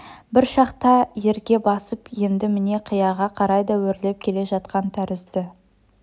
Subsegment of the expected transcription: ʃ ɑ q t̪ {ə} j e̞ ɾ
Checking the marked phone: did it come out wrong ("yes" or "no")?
yes